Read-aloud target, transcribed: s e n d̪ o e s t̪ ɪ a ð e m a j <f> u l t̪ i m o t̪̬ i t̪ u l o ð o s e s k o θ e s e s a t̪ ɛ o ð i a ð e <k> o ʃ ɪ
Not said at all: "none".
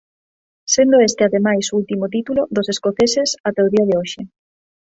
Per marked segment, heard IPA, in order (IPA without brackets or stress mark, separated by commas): s, none